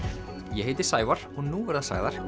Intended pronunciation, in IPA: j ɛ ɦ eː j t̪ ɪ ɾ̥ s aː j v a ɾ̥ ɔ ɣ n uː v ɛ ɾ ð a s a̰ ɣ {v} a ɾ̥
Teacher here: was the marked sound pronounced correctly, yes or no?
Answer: no